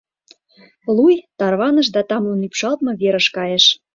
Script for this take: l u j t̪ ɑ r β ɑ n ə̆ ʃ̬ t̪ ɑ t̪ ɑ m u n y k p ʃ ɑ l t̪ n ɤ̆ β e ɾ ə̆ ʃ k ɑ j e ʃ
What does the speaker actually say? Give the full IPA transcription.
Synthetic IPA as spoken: l u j t̪ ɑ r β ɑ n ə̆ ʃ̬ d̪ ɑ t̪ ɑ m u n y p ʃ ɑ l t̪ m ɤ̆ β e ɾ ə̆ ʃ k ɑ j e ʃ